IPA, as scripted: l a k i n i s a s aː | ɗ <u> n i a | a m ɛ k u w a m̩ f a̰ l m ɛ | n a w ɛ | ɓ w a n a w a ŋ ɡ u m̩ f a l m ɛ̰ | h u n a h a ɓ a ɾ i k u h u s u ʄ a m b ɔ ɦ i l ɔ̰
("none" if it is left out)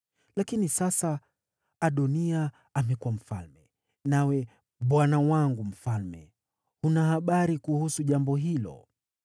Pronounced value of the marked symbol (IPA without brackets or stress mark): ɔ